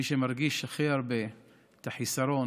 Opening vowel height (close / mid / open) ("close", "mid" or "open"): close